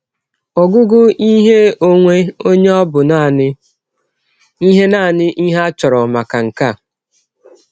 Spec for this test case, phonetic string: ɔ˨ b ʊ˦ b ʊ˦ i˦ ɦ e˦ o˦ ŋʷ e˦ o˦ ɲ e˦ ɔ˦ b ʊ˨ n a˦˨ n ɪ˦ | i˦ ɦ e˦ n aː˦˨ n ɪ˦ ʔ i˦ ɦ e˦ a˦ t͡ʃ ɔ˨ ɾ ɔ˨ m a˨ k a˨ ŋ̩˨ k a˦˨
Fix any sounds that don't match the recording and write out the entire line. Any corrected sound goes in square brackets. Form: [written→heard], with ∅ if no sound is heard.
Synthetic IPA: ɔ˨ [b→ɡ] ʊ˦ [b→ɡ] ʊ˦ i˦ ɦ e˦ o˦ ŋʷ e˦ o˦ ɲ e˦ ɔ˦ b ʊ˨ n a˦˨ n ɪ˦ | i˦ ɦ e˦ n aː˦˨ n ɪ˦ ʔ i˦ ɦ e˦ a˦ t͡ʃ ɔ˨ ɾ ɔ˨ m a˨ k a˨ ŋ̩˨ k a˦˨